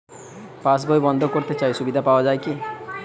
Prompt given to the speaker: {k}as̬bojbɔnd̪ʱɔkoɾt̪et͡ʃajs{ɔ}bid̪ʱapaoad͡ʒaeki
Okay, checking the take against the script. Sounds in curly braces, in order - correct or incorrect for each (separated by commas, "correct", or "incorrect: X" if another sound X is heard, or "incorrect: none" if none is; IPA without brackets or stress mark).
incorrect: p, incorrect: u